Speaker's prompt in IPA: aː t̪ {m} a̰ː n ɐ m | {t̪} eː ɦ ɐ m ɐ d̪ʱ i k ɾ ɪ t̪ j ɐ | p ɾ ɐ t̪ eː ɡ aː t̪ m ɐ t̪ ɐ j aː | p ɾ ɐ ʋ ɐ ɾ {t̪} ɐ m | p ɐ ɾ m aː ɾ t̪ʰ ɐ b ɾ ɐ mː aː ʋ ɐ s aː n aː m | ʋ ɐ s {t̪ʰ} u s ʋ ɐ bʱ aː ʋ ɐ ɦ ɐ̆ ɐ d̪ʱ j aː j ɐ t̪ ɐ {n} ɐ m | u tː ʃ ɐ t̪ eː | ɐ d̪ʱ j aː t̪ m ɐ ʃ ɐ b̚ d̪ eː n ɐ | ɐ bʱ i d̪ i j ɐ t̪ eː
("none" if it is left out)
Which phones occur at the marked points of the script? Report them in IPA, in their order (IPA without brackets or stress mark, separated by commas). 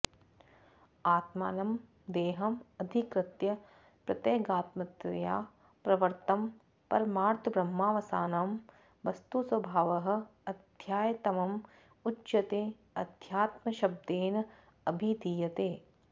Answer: m, d̪, t̪, t̪, m